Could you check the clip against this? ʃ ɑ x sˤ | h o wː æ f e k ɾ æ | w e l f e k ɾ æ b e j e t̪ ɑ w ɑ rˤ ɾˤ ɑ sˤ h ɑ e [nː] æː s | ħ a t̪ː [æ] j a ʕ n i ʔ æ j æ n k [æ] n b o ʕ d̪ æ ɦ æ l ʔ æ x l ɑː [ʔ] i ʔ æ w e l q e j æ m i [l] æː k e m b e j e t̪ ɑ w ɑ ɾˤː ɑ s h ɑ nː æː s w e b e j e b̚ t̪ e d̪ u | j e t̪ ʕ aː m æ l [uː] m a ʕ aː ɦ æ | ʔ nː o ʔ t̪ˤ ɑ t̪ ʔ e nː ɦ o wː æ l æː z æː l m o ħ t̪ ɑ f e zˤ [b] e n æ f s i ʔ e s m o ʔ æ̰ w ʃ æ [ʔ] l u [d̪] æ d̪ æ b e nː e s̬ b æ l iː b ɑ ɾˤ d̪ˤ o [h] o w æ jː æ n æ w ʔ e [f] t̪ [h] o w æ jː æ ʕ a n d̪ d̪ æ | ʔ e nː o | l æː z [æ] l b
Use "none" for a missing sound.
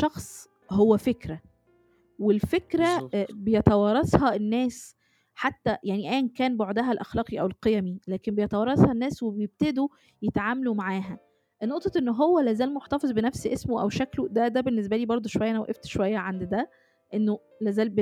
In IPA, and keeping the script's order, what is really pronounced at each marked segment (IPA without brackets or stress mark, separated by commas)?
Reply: nː, æ, æː, q, l, u, b, k, d̪, ʃ, f, ʃ, æː